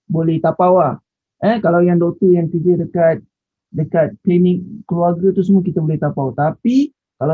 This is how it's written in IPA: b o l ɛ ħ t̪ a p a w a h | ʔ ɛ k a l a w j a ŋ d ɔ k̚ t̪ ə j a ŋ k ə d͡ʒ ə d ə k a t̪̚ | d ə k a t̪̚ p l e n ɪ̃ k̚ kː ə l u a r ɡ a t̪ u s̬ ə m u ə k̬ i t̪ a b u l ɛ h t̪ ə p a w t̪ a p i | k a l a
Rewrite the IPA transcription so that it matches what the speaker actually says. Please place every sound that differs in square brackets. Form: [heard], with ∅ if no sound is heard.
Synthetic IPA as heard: b o l ɛ [h] t̪ a p a w a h | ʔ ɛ k a l a w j a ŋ d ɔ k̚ t̪ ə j a ŋ k ə d͡ʒ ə d ə k a t̪̚ | d ə k a t̪̚ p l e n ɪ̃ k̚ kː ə l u a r ɡ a t̪ u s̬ ə m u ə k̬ i t̪ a b [o] l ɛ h t̪ [a] p a w t̪ a p i | k a l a